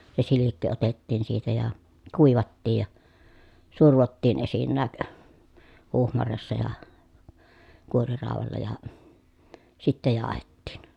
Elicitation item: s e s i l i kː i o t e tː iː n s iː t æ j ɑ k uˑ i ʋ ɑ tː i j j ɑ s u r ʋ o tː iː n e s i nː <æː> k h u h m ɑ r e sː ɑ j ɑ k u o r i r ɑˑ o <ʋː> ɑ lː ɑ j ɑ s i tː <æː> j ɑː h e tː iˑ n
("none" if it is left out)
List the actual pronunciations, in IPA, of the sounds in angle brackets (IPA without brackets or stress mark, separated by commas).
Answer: æː, ʋ, æ